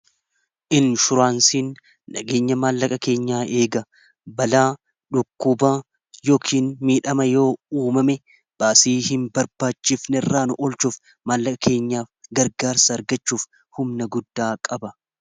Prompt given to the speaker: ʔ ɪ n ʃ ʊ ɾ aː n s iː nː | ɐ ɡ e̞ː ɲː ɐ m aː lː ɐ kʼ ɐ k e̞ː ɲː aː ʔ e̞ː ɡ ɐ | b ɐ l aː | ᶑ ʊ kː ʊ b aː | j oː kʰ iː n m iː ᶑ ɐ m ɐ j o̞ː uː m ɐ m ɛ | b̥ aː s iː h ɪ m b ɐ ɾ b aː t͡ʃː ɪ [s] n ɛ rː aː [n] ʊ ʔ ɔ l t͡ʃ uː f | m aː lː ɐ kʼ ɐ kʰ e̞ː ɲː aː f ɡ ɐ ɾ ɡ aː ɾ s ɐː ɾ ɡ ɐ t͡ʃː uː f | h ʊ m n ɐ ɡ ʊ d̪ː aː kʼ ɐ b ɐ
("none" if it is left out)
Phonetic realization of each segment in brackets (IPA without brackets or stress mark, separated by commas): f, n